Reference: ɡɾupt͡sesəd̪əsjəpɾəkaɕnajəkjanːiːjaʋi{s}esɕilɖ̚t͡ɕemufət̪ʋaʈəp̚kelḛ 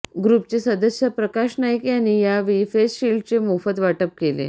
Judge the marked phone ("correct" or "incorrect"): incorrect